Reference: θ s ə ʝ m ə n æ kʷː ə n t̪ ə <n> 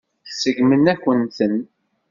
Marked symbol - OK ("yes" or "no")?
yes